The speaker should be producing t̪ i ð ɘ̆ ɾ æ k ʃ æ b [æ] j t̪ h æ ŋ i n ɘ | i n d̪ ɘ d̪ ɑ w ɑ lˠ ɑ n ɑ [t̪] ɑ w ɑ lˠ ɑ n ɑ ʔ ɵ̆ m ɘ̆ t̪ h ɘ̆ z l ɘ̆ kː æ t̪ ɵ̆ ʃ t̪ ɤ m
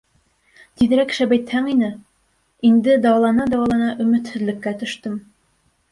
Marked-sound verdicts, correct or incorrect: correct, incorrect: d̪

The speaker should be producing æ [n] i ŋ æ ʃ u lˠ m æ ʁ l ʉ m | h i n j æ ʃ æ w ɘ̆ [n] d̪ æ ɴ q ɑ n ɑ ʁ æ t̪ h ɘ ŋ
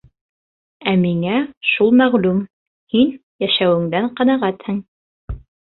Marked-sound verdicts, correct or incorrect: incorrect: m, incorrect: ŋ

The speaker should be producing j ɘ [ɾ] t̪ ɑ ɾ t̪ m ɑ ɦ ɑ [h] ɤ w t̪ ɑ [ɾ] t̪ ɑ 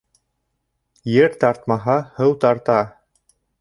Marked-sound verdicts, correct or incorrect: correct, correct, correct

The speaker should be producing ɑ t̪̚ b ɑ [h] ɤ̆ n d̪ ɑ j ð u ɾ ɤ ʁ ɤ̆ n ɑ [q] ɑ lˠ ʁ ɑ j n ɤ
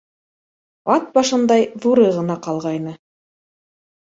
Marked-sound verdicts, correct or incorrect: incorrect: ʃ, correct

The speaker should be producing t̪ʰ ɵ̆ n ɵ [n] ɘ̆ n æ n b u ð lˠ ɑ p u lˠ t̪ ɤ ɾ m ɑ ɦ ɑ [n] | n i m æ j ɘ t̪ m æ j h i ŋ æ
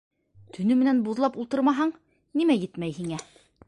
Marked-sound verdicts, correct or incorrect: incorrect: m, incorrect: ɴ

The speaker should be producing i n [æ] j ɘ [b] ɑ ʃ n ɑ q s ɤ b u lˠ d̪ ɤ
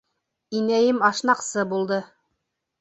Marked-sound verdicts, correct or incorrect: correct, incorrect: m

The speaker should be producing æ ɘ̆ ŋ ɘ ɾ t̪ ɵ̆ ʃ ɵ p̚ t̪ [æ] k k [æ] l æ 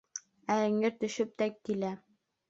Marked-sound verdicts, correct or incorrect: correct, incorrect: i

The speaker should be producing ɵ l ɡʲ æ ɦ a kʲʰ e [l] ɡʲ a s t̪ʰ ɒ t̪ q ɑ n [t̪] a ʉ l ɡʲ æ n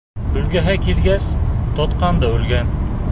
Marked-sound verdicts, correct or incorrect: correct, incorrect: d̪

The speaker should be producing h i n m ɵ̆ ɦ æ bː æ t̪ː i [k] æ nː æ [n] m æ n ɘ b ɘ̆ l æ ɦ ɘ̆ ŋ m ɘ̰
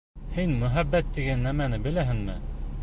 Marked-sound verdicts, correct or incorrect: incorrect: ɡ, incorrect: none

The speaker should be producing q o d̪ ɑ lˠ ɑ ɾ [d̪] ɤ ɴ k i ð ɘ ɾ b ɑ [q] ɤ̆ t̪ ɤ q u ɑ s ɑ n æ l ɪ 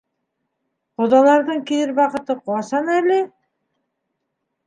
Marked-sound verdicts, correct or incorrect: correct, correct

